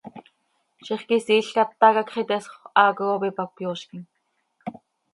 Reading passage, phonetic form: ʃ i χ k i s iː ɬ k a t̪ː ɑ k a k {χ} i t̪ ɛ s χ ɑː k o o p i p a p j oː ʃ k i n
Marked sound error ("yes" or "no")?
no